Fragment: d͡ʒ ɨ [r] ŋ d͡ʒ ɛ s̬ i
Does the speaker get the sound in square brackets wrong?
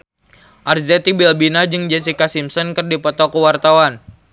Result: yes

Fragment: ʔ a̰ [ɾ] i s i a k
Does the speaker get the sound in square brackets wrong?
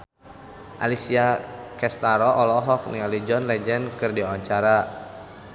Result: yes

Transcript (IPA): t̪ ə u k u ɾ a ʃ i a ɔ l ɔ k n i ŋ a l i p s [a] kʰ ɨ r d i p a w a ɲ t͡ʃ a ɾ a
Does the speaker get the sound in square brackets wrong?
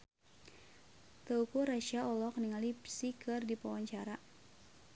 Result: yes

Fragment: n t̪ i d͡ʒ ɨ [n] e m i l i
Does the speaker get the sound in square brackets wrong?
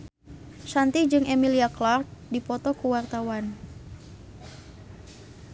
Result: yes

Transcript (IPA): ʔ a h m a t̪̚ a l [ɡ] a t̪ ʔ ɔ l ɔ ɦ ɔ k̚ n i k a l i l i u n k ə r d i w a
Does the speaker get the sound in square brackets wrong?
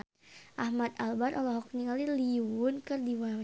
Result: yes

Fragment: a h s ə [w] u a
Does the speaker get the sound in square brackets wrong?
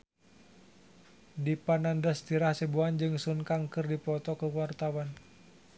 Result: yes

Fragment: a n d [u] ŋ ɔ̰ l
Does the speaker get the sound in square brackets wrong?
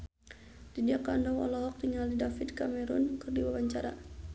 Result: yes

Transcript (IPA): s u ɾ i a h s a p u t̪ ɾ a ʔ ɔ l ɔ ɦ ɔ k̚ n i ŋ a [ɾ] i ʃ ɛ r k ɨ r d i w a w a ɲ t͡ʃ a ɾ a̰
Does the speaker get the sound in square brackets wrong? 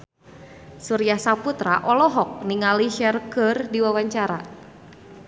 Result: yes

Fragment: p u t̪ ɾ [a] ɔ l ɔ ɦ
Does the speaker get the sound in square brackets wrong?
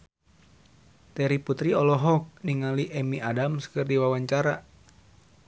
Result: yes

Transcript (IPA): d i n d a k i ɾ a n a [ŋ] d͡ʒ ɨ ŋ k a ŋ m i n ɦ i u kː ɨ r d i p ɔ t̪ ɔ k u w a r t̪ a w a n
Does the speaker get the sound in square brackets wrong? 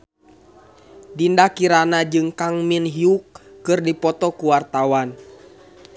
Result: yes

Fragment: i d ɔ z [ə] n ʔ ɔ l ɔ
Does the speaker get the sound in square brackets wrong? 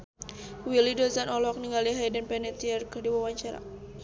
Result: yes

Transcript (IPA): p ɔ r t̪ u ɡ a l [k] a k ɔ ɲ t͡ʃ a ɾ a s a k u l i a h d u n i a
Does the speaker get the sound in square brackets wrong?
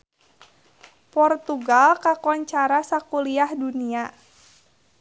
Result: no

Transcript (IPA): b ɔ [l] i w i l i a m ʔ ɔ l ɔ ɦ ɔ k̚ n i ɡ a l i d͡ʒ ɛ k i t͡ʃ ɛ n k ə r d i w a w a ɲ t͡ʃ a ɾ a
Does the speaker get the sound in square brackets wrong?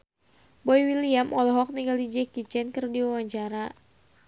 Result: yes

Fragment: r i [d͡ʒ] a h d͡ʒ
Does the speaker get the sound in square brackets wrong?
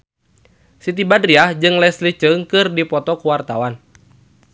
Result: yes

